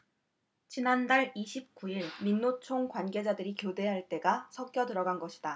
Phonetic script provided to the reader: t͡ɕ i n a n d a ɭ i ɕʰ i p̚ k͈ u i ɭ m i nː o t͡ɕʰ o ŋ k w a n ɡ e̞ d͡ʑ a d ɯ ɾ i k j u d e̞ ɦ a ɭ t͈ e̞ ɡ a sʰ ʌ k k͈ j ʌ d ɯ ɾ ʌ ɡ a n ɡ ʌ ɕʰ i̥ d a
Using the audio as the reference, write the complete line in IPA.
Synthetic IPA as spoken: t͡ɕ i n a n d a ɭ i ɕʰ i p̚ k͈ u i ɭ m i nː o t͡ɕʰ o ŋ k w a n ɡ e̞ d͡ʑ a d ɯ ɾ i k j o d e̞ ɦ a ɭ t͈ e̞ ɡ a sʰ ʌ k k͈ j ʌ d ɯ ɾ ʌ ɡ a n ɡ ʌ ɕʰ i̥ d a

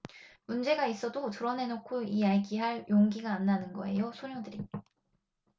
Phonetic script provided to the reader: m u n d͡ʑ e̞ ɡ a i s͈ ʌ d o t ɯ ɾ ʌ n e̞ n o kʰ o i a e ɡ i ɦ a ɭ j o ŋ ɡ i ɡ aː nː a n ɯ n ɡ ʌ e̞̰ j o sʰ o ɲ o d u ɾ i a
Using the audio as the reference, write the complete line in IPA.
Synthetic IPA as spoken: m u n d͡ʑ e̞ ɡ a i s͈ ʌ d o t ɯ ɾ ʌ n e̞ n o kʰ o i a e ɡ i ɦ a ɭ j o ŋ ɡ i ɡ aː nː a n ɯ n ɡ ʌ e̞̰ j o sʰ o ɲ o d ɯ ɾ i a

